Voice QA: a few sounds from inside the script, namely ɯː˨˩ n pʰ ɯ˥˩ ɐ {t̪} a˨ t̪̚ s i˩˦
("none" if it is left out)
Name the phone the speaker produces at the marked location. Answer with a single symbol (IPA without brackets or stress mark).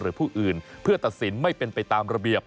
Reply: t̪